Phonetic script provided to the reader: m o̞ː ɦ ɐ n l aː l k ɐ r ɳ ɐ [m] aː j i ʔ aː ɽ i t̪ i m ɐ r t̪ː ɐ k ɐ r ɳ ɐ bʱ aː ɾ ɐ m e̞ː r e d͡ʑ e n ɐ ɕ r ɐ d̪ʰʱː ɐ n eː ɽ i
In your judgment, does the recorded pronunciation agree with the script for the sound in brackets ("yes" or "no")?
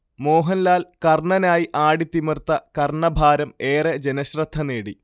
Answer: no